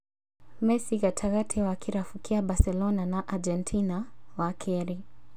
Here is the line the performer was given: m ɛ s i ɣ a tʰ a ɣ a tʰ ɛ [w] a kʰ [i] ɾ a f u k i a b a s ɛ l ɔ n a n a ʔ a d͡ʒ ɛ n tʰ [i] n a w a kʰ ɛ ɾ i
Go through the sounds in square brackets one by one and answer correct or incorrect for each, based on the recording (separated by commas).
correct, correct, correct